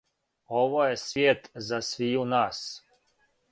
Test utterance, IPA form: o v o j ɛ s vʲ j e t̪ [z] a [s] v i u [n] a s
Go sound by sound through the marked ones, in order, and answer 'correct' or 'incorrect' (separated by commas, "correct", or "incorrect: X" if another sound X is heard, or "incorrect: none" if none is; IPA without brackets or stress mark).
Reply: correct, correct, correct